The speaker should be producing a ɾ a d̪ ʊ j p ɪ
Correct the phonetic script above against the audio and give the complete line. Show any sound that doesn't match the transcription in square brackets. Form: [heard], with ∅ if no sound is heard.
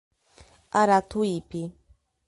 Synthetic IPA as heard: a ɾ a [t̪] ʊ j p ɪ